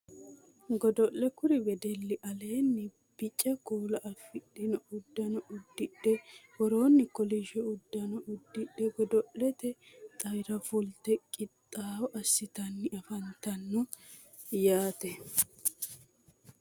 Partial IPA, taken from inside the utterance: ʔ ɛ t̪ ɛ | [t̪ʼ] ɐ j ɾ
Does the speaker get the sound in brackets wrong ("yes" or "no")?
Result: no